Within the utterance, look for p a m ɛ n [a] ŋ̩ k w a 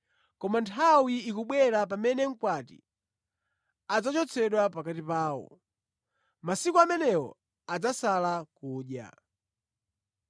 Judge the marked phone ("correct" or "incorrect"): incorrect